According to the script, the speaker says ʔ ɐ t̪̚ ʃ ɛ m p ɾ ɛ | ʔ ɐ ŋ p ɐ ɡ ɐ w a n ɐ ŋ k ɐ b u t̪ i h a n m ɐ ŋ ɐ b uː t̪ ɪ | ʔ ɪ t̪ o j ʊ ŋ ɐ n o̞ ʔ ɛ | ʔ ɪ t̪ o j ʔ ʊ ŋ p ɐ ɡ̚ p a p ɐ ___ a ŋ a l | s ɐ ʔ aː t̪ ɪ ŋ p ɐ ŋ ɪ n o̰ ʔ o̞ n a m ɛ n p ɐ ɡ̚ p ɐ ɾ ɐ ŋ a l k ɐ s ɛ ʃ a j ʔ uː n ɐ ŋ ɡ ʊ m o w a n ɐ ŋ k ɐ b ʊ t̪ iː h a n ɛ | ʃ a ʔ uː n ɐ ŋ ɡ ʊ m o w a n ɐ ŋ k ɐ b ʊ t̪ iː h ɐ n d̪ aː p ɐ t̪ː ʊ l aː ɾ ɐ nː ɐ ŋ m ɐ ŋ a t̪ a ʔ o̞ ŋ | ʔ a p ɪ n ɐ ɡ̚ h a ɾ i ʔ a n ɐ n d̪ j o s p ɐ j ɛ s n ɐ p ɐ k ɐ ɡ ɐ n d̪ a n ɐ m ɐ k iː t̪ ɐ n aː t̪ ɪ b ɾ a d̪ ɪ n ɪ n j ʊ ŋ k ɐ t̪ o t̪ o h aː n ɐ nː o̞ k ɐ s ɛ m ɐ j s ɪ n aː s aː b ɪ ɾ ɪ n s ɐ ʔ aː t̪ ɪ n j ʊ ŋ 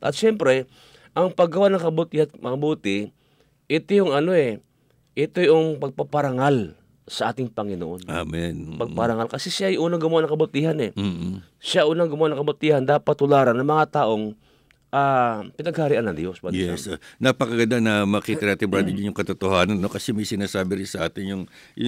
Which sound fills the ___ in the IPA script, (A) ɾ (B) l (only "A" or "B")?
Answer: A